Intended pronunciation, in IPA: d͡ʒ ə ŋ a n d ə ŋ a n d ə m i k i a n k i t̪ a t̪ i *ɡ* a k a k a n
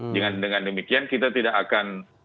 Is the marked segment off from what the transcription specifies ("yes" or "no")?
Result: yes